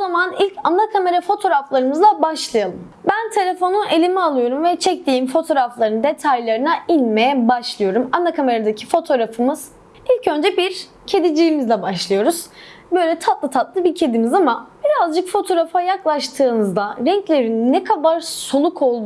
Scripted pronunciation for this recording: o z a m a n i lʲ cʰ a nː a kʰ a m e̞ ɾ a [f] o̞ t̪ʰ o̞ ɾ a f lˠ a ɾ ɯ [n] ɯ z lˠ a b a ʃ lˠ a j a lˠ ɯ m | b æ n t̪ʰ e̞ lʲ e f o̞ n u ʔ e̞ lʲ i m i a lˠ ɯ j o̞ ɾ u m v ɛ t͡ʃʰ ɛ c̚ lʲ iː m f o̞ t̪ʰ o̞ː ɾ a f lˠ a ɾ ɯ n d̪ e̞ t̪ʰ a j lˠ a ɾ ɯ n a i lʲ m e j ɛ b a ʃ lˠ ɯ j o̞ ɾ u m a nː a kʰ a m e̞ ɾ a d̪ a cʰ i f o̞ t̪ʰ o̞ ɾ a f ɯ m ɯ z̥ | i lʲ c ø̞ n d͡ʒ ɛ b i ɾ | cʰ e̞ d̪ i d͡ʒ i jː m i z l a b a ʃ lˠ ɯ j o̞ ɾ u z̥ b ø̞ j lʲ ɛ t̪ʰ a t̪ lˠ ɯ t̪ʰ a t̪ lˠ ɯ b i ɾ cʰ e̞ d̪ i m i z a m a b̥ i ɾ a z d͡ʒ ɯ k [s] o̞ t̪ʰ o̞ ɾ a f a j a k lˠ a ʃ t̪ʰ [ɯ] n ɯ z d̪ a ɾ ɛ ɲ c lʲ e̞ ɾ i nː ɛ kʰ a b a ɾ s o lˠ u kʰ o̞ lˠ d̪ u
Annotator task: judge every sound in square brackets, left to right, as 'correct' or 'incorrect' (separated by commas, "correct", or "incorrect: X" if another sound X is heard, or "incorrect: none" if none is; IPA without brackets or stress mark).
correct, incorrect: m, incorrect: f, incorrect: ɯː